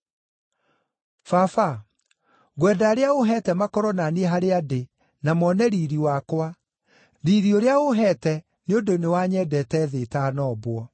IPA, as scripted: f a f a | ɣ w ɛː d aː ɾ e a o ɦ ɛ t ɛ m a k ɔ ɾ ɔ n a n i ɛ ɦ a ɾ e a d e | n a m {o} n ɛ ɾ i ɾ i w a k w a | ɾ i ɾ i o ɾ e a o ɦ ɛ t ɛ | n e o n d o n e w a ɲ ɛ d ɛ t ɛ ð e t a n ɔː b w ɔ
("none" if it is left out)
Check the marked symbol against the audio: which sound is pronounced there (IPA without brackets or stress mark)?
ɔ